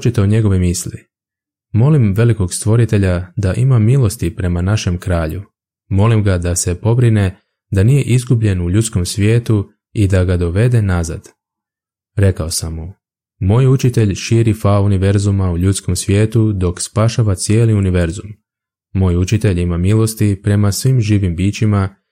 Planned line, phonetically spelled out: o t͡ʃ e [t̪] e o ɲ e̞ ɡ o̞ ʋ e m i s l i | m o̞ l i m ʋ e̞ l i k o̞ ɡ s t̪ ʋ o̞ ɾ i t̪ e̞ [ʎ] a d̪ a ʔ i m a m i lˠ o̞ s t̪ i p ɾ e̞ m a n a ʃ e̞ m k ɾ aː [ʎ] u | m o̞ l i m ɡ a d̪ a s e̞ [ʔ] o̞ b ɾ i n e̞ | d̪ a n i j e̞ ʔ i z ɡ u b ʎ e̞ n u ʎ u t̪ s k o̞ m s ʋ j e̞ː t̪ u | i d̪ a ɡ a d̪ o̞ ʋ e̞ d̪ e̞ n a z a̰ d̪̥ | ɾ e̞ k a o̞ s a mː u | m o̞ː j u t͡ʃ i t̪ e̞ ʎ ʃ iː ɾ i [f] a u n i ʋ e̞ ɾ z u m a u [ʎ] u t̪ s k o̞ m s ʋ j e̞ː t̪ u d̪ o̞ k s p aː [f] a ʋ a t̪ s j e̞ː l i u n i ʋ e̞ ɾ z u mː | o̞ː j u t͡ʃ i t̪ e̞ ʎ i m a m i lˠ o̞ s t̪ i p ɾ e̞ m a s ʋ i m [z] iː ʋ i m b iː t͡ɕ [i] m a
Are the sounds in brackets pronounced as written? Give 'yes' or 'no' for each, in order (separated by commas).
yes, yes, yes, no, yes, yes, no, no, yes